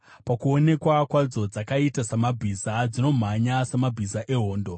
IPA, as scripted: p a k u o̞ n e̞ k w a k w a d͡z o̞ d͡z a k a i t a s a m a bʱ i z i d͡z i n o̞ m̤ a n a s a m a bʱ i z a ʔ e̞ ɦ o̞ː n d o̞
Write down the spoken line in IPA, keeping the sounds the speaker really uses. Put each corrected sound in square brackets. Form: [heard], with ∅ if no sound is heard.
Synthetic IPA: p a k u o̞ n e̞ k w a k w a d͡z o̞ d͡z a k a i t a s a m a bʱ i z [a] d͡z i n o̞ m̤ a [ɲ] a s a m a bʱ i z a ʔ e̞ ɦ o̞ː n d o̞